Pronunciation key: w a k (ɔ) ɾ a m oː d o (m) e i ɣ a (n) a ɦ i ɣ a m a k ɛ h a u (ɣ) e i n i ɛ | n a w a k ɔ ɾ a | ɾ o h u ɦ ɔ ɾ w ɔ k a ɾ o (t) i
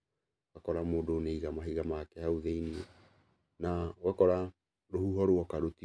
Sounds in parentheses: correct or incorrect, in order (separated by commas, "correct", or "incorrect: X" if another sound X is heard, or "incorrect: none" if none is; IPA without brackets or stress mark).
correct, incorrect: n, incorrect: m, incorrect: ð, correct